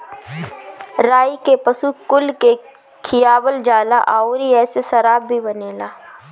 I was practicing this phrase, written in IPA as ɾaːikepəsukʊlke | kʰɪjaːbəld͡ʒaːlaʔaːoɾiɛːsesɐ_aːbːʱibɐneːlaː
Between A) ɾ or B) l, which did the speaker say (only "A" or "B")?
A